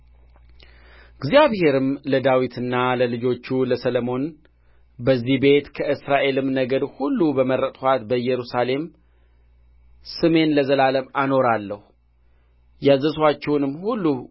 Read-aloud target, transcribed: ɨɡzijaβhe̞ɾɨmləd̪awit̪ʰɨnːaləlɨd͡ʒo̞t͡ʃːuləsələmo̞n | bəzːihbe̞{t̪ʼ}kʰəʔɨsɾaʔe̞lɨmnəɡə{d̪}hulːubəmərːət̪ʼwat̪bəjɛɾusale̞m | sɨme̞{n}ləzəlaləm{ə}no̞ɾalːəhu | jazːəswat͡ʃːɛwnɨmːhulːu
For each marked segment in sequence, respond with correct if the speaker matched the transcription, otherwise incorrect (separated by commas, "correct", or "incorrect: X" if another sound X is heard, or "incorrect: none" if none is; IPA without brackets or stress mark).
incorrect: t̪, correct, correct, incorrect: a